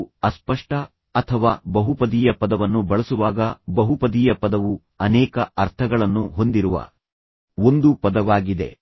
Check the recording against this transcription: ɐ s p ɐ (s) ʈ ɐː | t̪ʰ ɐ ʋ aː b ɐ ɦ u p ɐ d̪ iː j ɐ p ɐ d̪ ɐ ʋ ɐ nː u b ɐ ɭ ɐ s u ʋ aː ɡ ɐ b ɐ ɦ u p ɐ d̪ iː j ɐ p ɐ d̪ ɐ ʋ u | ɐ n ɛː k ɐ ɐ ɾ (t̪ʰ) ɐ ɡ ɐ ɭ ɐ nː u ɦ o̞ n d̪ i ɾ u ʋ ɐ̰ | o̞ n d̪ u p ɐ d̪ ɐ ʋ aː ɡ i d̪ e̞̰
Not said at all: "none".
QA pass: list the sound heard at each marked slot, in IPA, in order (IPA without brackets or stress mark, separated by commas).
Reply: ʂ, t̪ʰ